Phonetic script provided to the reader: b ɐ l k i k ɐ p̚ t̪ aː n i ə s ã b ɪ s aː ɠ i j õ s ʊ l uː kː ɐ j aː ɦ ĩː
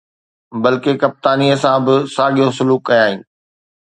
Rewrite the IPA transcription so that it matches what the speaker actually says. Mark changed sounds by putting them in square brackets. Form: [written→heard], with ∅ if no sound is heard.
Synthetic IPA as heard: b ɐ l k [i→e] k ɐ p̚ t̪ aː n i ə s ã b ɪ s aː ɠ i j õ s ʊ l uː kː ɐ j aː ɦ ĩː